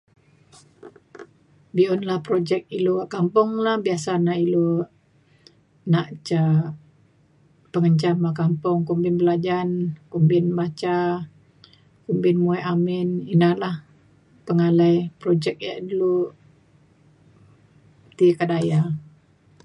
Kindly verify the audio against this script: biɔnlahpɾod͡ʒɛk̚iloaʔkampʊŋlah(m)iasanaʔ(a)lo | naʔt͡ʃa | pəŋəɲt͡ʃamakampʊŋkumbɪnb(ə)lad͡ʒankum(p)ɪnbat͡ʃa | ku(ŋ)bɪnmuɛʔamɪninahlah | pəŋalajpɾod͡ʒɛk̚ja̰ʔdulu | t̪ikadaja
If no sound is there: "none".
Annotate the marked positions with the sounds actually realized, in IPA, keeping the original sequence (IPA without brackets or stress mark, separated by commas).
b, i, ə, b, m